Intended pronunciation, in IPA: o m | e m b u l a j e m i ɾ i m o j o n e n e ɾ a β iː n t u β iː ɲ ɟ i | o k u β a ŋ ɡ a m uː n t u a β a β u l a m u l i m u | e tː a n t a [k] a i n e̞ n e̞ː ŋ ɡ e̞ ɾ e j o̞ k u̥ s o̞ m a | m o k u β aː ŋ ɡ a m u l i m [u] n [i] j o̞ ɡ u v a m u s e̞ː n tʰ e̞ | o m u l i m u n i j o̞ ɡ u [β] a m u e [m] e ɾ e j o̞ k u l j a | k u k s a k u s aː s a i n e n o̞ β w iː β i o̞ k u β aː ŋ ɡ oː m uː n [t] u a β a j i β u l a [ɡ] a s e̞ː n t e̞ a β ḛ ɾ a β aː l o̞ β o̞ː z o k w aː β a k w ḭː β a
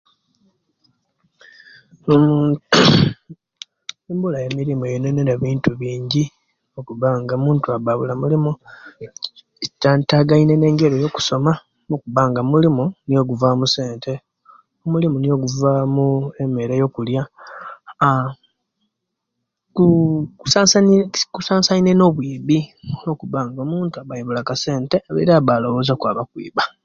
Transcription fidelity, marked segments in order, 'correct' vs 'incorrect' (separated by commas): incorrect, correct, correct, incorrect, correct, correct, incorrect